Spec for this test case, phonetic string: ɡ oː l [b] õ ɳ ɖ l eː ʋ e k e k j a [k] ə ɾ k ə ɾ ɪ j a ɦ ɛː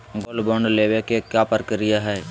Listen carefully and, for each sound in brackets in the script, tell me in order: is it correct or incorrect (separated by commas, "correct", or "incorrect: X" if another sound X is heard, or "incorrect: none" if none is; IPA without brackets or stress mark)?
correct, incorrect: p